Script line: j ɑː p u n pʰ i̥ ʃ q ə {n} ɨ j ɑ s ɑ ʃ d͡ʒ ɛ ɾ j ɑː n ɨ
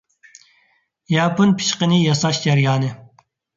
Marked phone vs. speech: correct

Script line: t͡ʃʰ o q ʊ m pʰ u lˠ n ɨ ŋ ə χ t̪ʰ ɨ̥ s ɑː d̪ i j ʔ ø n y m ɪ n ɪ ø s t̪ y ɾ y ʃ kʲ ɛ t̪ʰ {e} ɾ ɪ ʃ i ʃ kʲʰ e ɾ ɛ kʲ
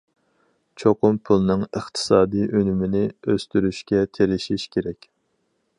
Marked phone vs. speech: correct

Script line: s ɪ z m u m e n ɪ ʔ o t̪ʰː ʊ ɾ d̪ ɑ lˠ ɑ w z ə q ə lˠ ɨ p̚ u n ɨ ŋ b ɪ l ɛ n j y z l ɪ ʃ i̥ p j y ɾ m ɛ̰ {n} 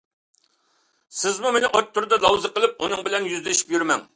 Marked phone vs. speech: incorrect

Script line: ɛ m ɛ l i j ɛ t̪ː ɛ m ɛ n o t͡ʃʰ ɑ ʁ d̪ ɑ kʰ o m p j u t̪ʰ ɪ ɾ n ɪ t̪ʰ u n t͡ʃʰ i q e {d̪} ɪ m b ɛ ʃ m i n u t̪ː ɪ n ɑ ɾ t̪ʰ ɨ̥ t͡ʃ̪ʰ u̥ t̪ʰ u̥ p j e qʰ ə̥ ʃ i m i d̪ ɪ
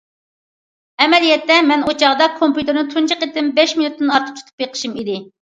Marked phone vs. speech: incorrect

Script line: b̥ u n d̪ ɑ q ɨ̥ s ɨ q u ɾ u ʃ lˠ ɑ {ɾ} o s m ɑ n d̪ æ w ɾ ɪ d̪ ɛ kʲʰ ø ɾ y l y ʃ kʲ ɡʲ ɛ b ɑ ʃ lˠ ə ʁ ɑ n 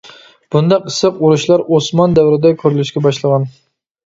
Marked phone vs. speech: correct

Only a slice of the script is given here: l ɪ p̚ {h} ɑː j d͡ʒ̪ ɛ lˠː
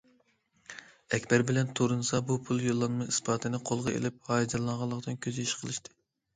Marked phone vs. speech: correct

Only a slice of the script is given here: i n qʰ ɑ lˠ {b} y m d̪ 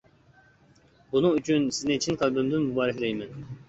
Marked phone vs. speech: correct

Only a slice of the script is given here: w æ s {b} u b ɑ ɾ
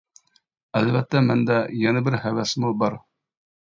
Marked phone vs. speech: incorrect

